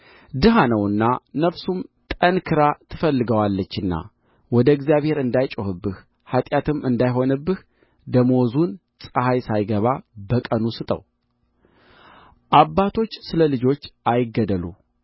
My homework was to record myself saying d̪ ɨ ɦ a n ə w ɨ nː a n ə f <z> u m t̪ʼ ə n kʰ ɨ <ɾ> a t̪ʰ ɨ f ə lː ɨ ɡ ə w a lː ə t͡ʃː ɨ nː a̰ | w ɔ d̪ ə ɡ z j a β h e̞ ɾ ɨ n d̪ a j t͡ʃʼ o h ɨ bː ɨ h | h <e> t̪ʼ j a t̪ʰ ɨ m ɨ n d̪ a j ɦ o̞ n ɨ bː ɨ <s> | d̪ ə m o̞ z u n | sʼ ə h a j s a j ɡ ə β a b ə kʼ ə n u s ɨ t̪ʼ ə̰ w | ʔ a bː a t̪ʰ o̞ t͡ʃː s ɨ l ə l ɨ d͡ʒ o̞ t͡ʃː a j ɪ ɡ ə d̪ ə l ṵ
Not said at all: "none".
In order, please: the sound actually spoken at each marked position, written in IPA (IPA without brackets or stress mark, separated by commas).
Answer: s, ɾ, a, h